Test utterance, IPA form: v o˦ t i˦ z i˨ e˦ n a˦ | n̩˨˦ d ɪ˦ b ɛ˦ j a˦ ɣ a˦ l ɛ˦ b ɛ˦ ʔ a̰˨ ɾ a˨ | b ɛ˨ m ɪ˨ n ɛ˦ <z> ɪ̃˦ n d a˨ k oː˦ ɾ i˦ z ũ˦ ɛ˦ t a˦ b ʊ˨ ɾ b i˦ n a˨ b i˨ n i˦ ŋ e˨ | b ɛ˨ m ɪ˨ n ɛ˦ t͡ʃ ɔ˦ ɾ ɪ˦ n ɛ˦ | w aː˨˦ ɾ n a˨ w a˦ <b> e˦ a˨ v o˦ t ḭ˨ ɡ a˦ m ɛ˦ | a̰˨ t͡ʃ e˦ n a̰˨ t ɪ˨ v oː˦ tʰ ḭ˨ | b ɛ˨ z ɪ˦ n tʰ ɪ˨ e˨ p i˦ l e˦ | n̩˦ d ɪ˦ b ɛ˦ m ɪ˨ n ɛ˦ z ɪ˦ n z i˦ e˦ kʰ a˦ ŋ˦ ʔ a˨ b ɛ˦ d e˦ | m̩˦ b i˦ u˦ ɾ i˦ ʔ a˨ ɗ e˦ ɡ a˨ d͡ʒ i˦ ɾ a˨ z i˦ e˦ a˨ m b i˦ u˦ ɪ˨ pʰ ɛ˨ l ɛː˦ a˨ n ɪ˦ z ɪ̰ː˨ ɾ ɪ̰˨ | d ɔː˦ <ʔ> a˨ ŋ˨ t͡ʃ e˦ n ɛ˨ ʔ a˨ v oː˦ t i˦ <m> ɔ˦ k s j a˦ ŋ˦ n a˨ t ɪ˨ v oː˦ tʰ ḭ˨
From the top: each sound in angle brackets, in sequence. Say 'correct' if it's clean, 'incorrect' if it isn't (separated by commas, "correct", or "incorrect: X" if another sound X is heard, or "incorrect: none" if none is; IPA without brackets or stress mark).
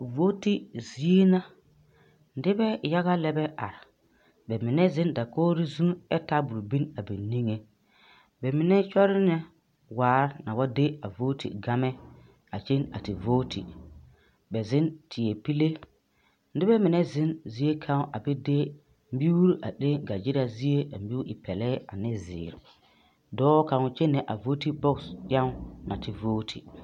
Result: correct, incorrect: d, incorrect: k, incorrect: b